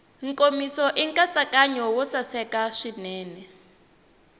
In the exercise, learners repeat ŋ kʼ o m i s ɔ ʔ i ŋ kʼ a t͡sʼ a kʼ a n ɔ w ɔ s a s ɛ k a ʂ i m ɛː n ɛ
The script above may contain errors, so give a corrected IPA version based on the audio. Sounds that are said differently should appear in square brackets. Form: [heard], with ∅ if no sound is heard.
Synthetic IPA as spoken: ŋ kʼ o m i s ɔ ʔ i ŋ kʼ a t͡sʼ a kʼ a [ɲ] ɔ w ɔ s a s ɛ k a ʂ i [n] ɛː n ɛ